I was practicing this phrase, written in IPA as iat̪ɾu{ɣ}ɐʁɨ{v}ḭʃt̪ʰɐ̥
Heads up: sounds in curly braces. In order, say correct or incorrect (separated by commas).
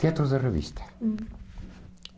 incorrect, correct